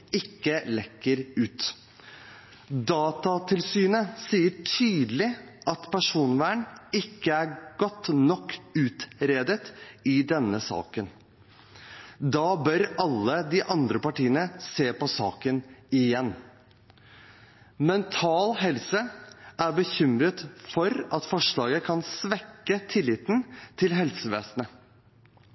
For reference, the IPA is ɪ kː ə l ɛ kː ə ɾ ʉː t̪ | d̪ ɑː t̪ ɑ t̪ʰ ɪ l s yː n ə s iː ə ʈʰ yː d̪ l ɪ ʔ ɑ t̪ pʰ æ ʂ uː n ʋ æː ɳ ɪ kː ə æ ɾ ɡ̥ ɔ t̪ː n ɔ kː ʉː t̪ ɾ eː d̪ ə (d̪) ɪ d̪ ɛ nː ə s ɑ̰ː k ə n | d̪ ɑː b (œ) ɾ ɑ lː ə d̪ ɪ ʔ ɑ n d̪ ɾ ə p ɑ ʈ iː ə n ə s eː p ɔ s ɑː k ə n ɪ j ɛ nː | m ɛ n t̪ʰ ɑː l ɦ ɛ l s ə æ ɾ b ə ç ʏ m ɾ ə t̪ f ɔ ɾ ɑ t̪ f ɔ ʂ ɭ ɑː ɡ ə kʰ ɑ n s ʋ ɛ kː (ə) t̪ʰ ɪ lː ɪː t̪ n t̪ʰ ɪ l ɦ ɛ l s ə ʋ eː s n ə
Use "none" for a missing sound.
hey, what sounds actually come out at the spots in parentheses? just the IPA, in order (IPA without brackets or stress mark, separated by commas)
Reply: t̪, œ, ə